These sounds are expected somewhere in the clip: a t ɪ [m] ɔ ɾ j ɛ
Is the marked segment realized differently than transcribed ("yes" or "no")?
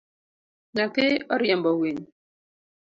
yes